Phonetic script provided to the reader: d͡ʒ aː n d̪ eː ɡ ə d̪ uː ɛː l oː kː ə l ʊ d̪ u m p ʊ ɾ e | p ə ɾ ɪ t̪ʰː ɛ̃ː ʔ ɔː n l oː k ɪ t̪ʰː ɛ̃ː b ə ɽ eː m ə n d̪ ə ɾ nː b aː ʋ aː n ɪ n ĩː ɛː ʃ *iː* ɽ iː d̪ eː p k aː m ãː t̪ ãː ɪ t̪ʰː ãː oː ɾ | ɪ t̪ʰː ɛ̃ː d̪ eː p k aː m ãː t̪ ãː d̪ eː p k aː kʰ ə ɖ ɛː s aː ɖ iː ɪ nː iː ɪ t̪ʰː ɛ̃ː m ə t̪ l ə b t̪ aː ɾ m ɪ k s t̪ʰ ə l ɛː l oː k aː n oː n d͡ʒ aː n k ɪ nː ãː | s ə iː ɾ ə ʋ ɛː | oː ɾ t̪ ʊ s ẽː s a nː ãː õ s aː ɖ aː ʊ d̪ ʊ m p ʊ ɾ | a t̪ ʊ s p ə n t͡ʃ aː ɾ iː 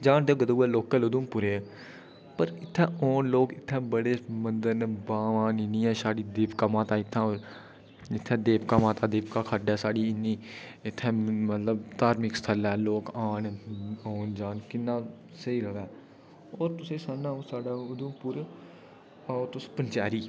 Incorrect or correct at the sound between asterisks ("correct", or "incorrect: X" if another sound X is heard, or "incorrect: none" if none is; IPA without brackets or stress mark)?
incorrect: aː